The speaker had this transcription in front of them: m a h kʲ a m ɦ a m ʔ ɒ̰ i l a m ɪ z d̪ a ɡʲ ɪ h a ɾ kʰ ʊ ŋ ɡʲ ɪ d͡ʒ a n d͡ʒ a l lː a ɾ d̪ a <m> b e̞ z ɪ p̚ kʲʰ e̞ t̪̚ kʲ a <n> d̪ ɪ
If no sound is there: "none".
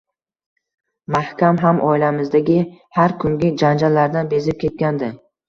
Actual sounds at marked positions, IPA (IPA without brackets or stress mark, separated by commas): n, n